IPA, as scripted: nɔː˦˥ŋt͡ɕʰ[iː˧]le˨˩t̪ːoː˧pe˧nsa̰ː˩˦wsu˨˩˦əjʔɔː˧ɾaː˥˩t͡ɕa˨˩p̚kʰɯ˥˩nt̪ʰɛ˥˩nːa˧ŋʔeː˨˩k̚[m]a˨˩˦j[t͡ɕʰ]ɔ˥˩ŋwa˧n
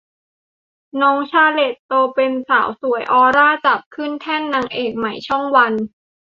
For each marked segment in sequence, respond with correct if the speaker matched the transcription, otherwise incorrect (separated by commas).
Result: incorrect, correct, correct